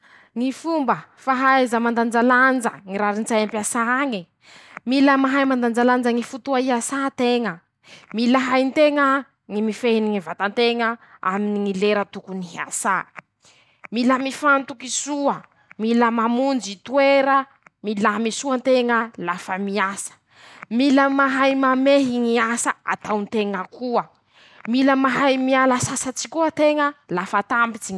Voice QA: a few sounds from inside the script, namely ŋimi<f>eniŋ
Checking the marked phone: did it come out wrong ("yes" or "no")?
no